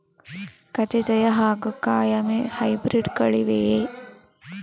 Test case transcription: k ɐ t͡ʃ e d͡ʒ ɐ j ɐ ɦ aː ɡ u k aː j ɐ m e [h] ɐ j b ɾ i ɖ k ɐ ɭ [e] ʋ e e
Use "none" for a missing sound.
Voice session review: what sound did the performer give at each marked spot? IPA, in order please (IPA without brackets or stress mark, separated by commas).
h, i